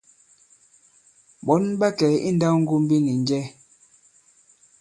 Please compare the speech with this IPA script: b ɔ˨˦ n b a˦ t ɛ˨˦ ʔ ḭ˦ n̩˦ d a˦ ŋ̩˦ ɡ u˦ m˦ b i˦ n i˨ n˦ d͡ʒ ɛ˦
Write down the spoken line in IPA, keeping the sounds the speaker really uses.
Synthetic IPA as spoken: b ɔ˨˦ n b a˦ k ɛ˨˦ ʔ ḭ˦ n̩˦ d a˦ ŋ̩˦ ɡ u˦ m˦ b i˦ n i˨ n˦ d͡ʒ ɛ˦